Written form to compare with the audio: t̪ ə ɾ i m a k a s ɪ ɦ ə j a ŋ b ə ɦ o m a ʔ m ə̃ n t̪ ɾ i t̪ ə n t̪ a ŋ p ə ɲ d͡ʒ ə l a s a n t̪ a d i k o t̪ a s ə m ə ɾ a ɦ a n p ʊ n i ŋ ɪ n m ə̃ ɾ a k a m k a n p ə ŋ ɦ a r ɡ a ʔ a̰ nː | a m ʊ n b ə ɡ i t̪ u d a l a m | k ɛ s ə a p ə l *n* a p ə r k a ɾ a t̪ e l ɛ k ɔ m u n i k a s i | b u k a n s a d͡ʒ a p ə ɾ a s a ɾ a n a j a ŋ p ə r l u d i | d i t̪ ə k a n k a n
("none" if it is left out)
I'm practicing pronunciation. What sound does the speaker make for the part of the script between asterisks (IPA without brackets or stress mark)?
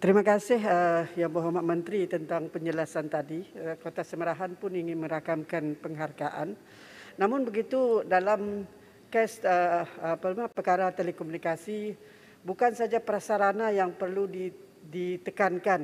m